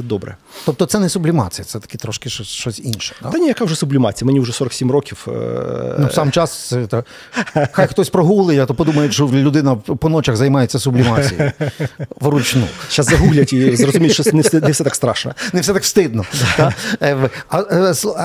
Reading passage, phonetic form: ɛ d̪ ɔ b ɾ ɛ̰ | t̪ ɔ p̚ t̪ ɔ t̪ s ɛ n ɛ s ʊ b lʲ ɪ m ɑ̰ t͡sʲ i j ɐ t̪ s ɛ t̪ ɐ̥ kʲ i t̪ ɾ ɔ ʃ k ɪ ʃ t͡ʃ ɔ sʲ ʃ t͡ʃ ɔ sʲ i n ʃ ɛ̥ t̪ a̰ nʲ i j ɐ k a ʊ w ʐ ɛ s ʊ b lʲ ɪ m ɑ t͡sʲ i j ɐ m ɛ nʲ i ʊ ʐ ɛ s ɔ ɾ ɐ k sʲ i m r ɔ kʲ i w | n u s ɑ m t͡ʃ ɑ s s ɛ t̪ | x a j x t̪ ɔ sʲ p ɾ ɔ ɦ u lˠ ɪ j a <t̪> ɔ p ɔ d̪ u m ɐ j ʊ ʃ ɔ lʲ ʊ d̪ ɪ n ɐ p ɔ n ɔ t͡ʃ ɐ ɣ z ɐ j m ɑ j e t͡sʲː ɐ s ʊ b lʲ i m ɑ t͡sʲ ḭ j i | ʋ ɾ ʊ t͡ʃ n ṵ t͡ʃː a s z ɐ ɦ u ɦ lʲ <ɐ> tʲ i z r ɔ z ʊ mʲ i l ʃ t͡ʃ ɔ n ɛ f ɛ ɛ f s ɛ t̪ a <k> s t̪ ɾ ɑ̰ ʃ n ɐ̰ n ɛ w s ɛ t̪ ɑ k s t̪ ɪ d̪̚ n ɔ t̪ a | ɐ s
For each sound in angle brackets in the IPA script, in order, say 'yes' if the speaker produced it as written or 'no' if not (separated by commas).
yes, yes, yes